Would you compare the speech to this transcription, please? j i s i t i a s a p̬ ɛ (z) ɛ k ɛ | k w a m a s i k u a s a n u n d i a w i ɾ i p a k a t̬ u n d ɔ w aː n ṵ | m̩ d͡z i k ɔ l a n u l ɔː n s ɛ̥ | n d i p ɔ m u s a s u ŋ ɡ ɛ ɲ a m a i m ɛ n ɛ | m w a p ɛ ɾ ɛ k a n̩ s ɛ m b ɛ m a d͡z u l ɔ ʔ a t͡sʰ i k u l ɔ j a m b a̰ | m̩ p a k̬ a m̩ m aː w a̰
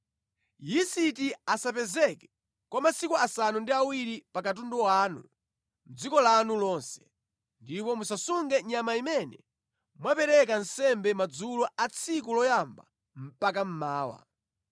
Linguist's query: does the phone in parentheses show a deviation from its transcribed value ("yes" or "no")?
no